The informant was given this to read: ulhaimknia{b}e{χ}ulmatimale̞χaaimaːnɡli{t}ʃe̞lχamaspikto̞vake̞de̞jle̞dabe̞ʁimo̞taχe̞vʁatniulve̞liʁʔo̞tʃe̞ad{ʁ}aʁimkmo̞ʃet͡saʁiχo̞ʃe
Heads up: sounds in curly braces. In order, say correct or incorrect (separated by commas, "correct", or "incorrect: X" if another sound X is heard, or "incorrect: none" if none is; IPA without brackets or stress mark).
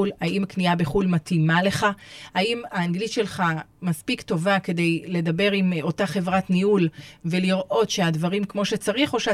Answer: correct, correct, correct, incorrect: v